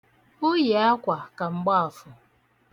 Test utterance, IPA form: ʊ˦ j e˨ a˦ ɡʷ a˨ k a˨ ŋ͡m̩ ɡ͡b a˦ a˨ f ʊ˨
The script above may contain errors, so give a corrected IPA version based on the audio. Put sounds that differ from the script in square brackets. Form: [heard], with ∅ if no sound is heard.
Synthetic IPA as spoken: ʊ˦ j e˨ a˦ [kʷ] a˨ k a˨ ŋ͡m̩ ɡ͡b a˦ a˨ f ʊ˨